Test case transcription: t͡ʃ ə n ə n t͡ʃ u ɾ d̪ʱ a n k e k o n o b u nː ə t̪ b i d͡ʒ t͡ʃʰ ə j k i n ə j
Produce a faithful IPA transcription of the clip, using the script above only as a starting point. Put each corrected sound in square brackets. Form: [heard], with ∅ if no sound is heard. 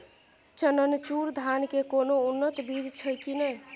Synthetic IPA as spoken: t͡ʃ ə n ə n t͡ʃ u ɾ d̪ʱ a n k e k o n o [∅] u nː ə t̪ b i d͡ʒ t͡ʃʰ ə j k i n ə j